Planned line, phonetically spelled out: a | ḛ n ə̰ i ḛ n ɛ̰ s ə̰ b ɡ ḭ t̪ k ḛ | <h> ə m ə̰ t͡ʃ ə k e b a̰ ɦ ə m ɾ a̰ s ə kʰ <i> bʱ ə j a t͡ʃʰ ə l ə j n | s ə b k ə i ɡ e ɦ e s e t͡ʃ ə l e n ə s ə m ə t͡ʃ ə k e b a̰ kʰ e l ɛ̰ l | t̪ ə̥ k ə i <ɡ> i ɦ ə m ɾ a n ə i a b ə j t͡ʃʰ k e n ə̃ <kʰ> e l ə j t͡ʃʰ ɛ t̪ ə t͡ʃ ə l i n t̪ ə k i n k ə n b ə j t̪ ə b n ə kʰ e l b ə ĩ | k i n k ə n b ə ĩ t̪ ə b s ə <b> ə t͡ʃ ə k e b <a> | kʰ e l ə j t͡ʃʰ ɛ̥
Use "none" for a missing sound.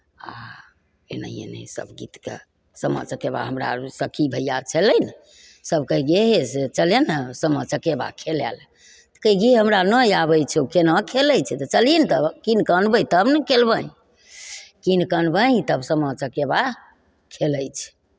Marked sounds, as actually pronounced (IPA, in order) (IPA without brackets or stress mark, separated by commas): s, i, ɡ, kʰ, m, a